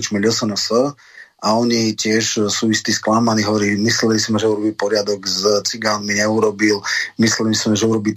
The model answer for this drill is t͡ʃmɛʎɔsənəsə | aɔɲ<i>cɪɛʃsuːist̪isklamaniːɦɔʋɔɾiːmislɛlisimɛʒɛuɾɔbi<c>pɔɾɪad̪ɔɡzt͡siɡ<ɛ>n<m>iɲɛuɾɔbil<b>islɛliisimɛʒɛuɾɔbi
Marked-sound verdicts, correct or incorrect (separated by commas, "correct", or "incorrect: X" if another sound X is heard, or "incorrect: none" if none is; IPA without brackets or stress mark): correct, incorrect: none, incorrect: a, correct, incorrect: m